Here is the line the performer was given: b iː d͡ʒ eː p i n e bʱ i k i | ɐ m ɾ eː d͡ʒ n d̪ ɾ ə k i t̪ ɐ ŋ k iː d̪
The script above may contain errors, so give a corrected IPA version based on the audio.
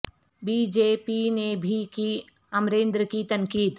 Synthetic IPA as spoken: b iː d͡ʒ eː p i n e bʱ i k i | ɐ m ɾ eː n d̪ ɾ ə k i t̪ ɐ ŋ k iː d̪

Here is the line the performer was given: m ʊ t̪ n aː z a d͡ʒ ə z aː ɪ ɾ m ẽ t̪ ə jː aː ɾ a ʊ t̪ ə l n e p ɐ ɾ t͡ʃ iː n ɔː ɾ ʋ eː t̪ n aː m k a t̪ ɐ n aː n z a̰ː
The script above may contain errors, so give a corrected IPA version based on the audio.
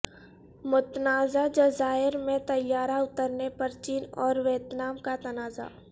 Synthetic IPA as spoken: m ʊ t̪ n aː z a d͡ʒ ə z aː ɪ ɾ m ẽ t̪ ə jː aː ɾ a ʊ t̪ ə ɾ n e p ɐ ɾ t͡ʃ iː n ɔː ɾ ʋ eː t̪ n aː m k a t̪ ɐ n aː z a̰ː

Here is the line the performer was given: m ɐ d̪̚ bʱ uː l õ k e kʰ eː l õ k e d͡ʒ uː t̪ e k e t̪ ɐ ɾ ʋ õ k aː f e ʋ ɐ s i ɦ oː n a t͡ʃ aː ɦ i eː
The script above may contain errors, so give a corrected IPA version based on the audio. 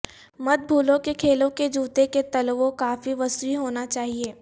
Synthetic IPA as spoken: m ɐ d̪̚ bʱ uː l õ k e kʰ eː l õ k e d͡ʒ uː t̪ e k e t̪ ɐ l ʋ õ k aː f i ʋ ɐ s i ɦ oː n a t͡ʃ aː ɦ i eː

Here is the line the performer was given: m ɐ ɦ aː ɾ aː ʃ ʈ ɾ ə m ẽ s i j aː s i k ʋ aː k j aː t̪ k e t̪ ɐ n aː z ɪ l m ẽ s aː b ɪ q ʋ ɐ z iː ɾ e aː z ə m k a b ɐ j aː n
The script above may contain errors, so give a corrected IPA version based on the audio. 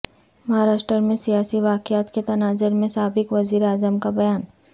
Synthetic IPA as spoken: m ɐ ɦ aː ɾ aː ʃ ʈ ɾ ə m ẽ s i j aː s i ʋ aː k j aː t̪ k e t̪ ɐ n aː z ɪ ɾ m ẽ s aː b ɪ k ʋ ɐ z iː ɾ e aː z ə m k a b ɐ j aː n

